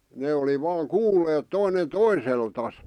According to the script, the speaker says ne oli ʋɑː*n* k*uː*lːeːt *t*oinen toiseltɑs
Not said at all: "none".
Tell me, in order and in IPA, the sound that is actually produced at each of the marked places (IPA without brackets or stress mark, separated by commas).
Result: ŋ, uː, t